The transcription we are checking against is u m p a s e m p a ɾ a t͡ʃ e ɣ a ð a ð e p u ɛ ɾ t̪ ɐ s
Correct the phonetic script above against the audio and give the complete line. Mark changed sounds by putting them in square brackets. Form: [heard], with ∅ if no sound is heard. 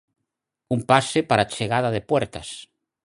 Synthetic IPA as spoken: u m p a s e [∅] p a ɾ a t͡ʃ e ɣ a ð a ð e p [w] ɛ ɾ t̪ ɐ s

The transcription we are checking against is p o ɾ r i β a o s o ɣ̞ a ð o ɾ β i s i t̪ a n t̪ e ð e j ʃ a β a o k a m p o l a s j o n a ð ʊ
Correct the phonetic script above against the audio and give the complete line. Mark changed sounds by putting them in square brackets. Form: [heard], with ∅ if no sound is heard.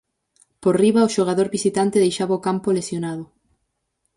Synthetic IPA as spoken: p o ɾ r i β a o [ʃ] o ɣ̞ a ð o ɾ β i s i t̪ a n t̪ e ð e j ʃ a β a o k a m p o l [e] s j o n a ð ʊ

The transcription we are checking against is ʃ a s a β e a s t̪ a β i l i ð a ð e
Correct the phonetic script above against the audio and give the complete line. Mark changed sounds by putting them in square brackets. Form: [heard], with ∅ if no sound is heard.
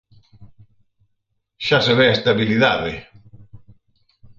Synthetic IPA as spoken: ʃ a s [e] β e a s t̪ a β i l i ð a ð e

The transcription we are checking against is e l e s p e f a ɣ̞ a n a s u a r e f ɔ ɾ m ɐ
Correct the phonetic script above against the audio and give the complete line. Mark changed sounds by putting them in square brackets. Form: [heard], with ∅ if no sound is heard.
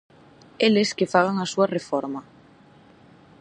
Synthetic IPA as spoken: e l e s [k] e f a ɣ̞ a [ŋ] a s u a r e f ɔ ɾ m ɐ

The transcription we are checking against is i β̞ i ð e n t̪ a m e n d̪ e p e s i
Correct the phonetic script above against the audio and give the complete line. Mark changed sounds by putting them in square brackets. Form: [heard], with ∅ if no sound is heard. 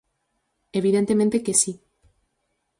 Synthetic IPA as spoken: [e] β̞ i ð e n t̪ [e] m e n [t̪] e [k] e s i

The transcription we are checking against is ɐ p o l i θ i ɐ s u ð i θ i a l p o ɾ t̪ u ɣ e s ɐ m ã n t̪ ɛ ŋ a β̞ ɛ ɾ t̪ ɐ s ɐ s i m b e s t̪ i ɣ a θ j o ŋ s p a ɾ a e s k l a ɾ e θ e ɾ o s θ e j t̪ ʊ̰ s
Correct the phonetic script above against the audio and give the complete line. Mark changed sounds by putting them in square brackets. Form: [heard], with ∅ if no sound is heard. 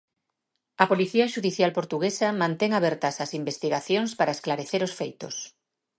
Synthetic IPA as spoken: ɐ p o l i θ i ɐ [ʃ] u ð i θ [j] a l p o ɾ t̪ u ɣ e s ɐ m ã n t̪ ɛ ŋ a β̞ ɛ ɾ t̪ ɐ s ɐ s i m b e s t̪ i ɣ a θ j o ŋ s p a ɾ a e s k l a ɾ e θ e ɾ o s [f] e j t̪ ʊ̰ s

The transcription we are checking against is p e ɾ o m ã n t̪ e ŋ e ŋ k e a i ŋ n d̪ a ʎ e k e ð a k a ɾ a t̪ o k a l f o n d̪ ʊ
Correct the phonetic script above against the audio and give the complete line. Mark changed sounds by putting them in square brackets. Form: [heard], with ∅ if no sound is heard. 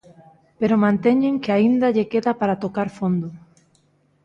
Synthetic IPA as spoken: p e ɾ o m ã n t̪ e [ɲ] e ŋ k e a i [∅] n d̪ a ʎ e k e ð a [p] a ɾ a t̪ o k a [ɾ] f o n d̪ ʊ

